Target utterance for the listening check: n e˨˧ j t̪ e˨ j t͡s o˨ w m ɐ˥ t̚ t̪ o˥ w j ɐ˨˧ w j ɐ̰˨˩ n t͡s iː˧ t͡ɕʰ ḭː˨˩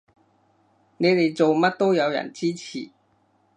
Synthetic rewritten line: n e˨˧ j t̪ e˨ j t͡s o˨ w m ɐ˥ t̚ t̪ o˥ w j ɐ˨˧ w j ɐ̰˨˩ n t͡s iː˥ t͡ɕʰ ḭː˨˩